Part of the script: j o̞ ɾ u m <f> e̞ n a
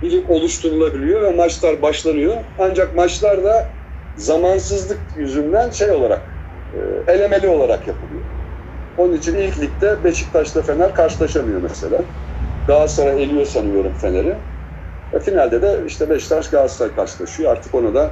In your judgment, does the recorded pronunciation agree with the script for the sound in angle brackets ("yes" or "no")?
yes